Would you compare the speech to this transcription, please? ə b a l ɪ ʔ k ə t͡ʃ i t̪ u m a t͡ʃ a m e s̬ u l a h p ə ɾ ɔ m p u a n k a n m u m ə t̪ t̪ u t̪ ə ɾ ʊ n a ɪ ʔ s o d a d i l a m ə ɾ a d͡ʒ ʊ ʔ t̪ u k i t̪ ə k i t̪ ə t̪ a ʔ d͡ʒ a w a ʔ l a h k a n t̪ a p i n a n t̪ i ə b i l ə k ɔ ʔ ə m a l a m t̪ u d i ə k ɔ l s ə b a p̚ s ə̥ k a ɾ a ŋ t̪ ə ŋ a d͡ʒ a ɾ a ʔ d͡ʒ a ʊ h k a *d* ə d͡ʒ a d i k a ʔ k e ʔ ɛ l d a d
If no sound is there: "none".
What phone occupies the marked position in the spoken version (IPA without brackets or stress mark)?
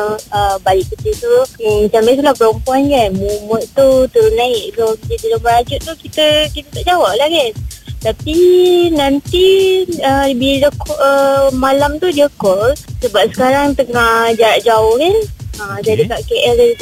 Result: n